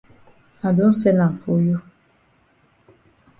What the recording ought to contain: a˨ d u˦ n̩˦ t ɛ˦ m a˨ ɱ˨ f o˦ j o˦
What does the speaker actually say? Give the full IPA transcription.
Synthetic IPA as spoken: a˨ d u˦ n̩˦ s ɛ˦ n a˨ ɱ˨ f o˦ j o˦